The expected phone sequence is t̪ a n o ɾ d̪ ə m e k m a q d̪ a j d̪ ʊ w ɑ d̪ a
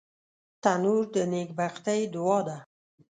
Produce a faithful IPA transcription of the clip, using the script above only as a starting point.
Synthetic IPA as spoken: t̪ a n u ɾ d̪ ə n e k b a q t̪ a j d̪ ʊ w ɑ d̪ a